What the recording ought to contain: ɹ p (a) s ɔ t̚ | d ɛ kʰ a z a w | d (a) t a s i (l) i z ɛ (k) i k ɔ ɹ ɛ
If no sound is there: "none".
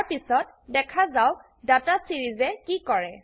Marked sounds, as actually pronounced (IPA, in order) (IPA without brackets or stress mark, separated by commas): i, a, ɹ, k